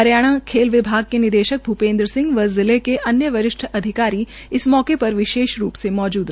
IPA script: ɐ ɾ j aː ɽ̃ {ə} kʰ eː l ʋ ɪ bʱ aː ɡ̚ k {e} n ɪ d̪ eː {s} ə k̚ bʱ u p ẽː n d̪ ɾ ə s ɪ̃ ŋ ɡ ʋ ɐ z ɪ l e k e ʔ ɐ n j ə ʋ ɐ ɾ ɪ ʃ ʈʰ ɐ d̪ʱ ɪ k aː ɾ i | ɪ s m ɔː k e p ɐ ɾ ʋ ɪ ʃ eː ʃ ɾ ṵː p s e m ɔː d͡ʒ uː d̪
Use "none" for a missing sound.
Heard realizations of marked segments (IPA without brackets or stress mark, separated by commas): a, e, ʃ